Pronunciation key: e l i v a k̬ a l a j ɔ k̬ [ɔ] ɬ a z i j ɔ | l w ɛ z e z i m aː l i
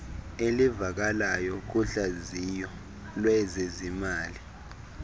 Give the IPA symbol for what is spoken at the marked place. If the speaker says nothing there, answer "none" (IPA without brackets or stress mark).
u